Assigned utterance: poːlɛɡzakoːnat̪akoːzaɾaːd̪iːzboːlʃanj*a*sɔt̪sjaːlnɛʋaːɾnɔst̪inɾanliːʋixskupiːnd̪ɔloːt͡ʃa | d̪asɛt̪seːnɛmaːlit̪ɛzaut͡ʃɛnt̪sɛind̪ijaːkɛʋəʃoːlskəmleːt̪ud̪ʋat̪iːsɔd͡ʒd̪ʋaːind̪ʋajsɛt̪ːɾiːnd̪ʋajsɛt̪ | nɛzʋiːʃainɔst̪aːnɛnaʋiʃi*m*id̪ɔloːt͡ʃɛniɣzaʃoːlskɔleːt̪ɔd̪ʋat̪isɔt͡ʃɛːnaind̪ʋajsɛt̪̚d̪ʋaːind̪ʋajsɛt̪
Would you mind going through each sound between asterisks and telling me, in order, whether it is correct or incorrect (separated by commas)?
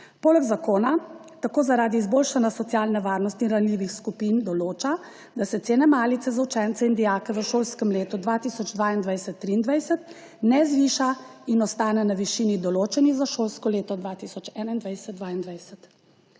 correct, incorrect